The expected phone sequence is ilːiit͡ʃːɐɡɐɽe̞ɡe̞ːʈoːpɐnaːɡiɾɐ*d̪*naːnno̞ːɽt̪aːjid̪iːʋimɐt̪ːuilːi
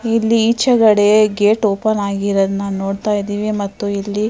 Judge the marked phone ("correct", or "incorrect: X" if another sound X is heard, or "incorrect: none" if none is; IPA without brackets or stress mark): correct